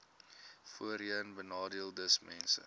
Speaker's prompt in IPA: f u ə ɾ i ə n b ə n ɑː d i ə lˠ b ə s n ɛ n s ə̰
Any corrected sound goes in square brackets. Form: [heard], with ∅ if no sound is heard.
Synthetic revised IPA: f u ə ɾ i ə n b ə n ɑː d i ə lˠ [d] ə s [m] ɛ n s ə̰

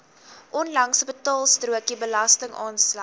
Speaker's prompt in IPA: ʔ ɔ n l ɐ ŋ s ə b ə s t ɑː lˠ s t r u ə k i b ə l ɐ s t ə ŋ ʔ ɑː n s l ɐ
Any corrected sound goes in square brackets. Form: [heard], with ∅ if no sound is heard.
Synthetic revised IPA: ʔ ɔ n l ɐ ŋ s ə b ə [∅] t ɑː lˠ s t r u ə k i b ə l ɐ s t ə ŋ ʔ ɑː n s l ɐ

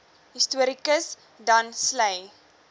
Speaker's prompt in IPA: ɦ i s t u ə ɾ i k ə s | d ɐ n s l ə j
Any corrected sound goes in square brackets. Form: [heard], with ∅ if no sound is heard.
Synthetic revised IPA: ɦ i s t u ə ɾ i k ə s | d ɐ n s l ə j

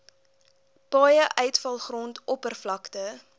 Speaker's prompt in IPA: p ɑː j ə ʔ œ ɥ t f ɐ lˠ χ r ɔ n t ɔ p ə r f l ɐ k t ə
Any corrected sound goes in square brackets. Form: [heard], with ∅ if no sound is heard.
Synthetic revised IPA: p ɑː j ə ʔ œ ɥ t f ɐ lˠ χ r ɔ n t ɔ p ə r f l ɐ k t ə

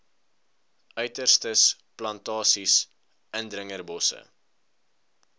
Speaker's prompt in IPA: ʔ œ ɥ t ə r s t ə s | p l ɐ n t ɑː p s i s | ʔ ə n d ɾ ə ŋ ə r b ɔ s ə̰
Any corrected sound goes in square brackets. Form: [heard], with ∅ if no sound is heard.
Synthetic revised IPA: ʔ œ ɥ t ə r s t ə s | p l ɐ n t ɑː [∅] s i s | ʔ ə n d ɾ ə ŋ ə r b ɔ s ə̰

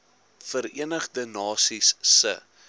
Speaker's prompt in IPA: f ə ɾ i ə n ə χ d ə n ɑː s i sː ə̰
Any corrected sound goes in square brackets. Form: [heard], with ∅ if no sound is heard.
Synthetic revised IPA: f ə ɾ i ə n ə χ d ə n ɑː s i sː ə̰

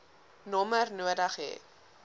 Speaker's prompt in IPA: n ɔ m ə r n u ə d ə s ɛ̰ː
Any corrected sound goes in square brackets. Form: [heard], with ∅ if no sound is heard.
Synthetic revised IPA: n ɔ m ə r n u ə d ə [χ] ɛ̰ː

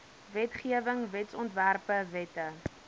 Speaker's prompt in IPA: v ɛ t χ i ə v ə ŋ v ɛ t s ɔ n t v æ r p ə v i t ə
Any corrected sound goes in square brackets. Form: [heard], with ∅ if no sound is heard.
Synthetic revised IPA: v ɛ t χ i ə v ə ŋ v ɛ t s ɔ n t v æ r p ə v [ɛ] t ə

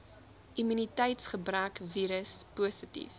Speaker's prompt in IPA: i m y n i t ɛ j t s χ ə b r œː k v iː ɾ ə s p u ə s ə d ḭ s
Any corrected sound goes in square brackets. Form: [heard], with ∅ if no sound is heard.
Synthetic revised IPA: i m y n i t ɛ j t s χ ə b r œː k v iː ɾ ə s p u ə s ə [t] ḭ [f]

